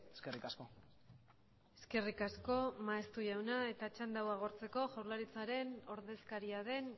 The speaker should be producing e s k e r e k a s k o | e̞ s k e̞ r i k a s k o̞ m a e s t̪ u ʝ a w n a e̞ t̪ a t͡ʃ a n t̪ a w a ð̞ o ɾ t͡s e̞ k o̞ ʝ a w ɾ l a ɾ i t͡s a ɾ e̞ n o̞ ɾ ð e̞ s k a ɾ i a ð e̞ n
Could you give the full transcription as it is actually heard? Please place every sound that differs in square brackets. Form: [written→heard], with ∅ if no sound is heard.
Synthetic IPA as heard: e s k e r [e→i] k a s k o | e̞ s k e̞ r i k a s k o̞ m a e s t̪ u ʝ a w n a e̞ t̪ a t͡ʃ a n [t̪→d̪] a w a [ð̞→ɣ̞] o ɾ t͡s e̞ k o̞ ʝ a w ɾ l a ɾ i t͡s a ɾ e̞ n o̞ ɾ ð e̞ s k a ɾ i a ð e̞ n